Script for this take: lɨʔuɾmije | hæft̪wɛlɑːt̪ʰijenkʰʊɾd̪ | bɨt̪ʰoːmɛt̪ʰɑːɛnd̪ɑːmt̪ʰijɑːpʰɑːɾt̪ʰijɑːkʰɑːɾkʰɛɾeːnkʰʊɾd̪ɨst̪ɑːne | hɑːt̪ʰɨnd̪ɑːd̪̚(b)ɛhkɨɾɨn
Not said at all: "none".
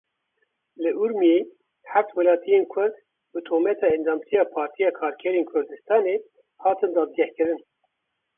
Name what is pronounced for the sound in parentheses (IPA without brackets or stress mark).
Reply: ɡ